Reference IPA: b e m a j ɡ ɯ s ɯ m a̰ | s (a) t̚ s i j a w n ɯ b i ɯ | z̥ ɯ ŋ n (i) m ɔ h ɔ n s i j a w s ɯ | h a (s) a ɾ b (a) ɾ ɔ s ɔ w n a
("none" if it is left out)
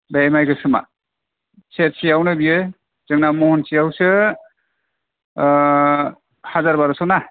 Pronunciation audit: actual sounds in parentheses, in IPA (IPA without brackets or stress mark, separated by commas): e, a, z, a